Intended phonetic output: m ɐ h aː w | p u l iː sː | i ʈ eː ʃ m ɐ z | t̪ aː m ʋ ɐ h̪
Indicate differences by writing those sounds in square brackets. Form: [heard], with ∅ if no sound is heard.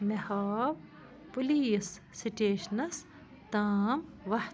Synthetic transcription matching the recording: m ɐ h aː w | p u l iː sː | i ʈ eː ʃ [n] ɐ [s] | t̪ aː m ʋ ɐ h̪